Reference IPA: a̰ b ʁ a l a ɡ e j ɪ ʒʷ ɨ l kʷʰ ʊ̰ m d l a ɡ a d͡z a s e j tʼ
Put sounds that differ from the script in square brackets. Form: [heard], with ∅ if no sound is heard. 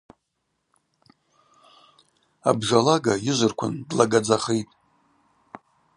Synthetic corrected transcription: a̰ b [ʐ] a l a ɡ [a] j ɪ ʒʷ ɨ [r] kʷʰ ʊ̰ [n] d l a ɡ a d͡z a [χ] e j tʼ